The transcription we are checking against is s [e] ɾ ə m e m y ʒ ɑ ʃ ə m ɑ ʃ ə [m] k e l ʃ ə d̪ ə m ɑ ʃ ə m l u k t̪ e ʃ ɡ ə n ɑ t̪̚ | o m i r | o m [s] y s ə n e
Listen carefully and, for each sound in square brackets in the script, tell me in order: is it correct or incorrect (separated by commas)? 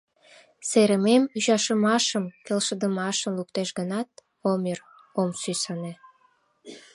correct, correct, correct